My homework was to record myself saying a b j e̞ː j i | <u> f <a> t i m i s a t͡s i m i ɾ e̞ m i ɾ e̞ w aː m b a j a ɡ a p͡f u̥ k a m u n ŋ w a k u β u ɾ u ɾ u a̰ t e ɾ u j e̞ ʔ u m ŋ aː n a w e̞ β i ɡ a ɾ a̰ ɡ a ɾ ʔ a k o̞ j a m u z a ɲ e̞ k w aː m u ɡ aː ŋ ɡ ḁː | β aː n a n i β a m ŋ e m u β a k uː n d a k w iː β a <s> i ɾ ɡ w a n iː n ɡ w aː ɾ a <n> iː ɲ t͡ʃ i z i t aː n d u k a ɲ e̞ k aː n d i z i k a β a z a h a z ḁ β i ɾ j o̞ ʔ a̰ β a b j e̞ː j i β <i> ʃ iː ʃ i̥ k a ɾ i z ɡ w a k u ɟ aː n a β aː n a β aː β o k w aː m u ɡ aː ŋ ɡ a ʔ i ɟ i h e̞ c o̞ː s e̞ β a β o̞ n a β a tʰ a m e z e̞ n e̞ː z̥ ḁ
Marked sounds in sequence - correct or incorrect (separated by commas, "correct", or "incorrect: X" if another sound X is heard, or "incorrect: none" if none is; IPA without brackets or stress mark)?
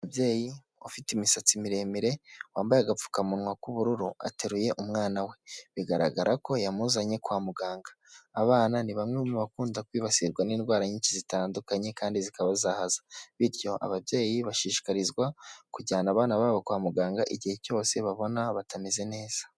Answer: incorrect: o, incorrect: i, correct, incorrect: ɲ, incorrect: a